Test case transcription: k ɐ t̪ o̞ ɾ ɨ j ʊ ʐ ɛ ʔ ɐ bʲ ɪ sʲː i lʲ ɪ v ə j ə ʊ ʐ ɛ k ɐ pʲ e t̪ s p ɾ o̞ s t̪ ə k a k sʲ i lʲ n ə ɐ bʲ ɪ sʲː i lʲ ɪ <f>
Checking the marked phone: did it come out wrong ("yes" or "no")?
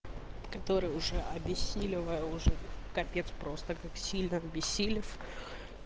no